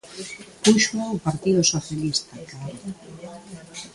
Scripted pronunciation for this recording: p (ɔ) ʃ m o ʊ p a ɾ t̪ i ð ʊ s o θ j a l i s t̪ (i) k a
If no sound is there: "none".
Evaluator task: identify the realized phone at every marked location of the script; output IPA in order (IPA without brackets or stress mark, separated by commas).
u, a